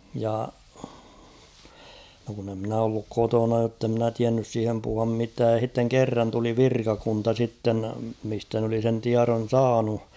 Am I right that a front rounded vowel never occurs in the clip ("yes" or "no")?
no